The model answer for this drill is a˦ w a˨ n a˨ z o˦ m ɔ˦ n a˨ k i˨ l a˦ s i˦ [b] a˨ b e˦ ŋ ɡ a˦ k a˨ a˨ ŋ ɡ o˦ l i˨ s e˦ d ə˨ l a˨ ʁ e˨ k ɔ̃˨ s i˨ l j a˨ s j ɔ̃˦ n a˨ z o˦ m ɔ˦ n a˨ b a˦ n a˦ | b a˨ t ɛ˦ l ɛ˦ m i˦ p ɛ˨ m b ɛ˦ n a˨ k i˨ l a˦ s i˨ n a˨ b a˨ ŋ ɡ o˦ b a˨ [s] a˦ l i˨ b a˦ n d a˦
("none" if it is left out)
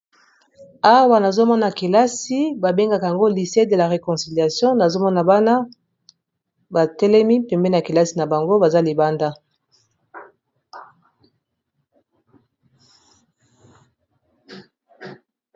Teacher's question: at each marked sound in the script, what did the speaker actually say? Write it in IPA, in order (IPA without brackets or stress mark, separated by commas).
b, z